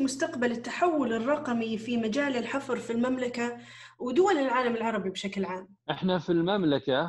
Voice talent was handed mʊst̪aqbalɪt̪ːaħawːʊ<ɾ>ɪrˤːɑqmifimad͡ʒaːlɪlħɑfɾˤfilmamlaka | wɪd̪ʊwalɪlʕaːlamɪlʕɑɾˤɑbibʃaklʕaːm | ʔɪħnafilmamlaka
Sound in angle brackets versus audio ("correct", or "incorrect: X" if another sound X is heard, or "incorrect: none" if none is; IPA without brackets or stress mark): incorrect: l